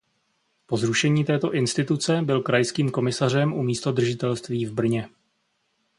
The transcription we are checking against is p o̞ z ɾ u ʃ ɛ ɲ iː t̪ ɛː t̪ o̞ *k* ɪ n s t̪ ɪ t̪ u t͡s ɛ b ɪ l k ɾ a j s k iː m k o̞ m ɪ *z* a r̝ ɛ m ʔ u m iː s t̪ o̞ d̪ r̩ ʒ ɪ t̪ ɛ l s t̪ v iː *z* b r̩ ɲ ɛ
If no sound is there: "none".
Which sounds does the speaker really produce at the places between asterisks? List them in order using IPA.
ʔ, s, v

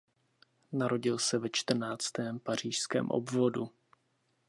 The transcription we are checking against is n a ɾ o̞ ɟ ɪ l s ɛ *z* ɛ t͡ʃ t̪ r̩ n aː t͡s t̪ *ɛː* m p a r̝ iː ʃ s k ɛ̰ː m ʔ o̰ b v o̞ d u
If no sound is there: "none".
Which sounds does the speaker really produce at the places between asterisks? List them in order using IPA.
v, ɛː

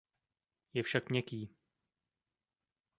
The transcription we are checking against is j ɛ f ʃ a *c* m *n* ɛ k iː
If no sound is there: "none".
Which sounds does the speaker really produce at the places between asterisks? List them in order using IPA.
k, ɲ

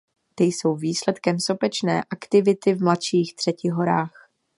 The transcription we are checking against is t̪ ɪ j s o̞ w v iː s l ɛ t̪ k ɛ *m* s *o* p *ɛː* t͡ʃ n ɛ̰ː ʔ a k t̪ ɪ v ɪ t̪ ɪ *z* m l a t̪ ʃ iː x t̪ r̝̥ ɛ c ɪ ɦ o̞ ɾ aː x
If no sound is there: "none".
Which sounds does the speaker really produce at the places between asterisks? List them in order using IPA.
m, o, ɛ, v

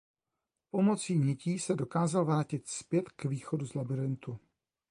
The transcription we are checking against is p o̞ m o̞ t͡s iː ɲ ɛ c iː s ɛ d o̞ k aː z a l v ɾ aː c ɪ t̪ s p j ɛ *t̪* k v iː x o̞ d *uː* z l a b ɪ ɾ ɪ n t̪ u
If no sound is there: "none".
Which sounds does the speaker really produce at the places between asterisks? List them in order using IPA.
t̪, u

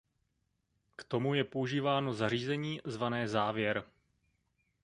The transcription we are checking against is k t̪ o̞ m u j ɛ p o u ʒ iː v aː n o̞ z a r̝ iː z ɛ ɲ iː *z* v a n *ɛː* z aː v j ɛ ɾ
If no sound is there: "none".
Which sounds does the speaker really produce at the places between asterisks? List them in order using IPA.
z, ɛː

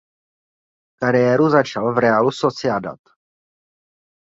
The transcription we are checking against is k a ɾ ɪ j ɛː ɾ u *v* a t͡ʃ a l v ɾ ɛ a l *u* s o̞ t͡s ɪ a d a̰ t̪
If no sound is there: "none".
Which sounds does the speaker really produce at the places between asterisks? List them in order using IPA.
z, u

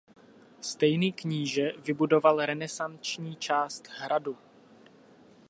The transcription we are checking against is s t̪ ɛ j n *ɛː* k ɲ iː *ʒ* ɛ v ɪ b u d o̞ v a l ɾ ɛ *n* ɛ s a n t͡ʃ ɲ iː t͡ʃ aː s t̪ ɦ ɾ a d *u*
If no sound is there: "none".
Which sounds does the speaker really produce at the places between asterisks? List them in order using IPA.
iː, ʒ, n, u

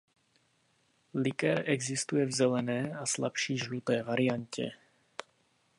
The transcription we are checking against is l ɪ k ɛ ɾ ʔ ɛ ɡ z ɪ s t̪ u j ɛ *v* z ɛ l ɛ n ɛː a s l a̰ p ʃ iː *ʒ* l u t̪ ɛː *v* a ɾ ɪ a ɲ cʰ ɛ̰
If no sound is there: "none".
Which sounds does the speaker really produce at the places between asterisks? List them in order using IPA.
v, ʒ, v

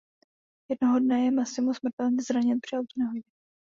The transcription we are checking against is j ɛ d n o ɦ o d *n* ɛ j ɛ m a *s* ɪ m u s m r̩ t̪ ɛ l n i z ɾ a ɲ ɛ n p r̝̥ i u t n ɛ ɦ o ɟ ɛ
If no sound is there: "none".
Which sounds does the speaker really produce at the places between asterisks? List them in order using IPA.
n, s

